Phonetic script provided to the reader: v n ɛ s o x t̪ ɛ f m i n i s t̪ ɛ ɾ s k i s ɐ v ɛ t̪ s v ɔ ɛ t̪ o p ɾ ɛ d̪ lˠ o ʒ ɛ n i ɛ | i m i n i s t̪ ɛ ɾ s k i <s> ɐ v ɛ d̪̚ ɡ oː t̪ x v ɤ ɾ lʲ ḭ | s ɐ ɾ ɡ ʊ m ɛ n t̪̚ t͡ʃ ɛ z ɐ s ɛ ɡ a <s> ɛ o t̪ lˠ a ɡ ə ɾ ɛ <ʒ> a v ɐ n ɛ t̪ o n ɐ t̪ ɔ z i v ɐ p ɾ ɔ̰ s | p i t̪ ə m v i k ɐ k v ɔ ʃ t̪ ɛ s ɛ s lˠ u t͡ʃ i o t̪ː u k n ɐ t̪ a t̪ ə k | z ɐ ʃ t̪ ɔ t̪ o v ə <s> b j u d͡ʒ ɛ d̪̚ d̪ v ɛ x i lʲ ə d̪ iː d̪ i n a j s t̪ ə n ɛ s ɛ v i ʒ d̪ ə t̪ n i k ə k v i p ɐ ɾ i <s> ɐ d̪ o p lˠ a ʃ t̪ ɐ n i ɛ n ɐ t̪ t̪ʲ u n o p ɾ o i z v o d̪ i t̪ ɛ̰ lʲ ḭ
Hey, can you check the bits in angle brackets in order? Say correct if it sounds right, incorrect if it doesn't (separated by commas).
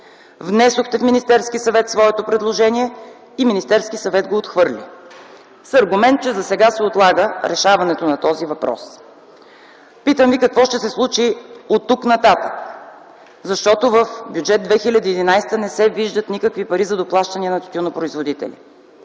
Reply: correct, correct, incorrect, incorrect, incorrect